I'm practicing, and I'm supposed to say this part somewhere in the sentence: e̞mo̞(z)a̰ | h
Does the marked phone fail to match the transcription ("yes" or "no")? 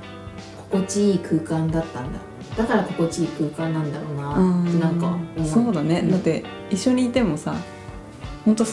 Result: yes